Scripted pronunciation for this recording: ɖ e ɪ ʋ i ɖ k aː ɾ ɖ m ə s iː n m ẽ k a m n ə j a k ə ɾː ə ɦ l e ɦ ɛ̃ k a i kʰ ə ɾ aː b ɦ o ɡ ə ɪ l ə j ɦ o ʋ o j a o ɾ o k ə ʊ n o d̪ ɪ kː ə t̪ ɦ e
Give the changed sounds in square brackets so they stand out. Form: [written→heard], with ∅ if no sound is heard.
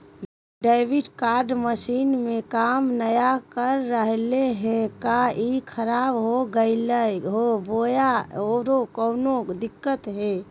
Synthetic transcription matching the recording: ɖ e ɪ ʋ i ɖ k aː ɾ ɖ m ə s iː n m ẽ k a m n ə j a k ə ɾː ə ɦ l e ɦ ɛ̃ k a i kʰ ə ɾ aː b ɦ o ɡ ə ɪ l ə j ɦ o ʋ o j a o ɾ o k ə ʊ n o d̪ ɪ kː ə t̪ ɦ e